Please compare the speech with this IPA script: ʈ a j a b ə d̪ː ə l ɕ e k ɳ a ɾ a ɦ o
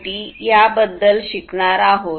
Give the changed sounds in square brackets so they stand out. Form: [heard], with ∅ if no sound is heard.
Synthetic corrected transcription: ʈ [i] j a b ə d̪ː ə l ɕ [i] k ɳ a ɾ a ɦ o